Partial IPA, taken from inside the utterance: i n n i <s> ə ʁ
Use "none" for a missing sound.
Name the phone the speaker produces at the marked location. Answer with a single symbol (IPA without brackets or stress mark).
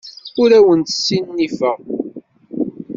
f